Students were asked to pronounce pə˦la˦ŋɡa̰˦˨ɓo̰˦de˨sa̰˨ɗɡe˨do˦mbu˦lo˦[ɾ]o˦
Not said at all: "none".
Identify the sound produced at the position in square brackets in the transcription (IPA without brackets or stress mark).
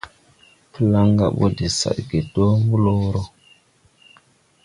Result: ɾ